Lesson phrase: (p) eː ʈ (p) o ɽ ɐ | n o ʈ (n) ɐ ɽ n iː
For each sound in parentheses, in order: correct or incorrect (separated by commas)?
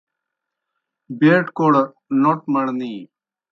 incorrect, incorrect, incorrect